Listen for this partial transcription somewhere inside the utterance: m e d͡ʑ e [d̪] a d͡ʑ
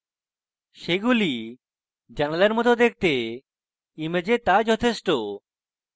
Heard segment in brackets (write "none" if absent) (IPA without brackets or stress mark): t̪